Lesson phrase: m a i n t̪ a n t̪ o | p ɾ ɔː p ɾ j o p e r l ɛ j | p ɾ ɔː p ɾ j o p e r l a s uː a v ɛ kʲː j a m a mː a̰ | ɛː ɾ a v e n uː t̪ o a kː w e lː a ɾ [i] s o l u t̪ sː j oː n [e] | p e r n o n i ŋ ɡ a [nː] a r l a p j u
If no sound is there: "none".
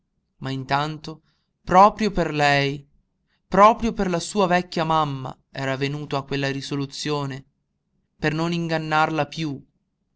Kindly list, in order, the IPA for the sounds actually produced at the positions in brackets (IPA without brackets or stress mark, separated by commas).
i, e, nː